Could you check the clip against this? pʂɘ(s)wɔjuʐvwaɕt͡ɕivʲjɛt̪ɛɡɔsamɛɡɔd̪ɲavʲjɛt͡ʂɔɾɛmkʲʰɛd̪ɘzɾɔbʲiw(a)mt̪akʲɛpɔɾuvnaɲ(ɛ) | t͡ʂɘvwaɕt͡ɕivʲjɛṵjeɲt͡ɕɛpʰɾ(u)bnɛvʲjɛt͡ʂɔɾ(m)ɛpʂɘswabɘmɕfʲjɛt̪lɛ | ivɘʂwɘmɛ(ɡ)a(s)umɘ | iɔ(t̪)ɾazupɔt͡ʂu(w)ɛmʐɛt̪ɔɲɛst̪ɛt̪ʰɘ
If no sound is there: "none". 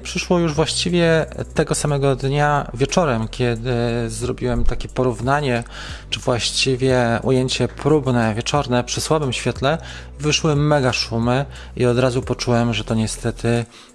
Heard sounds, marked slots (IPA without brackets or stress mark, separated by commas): ʂ, ɛ, ɛ, u, n, ɡ, ʂ, d̪, w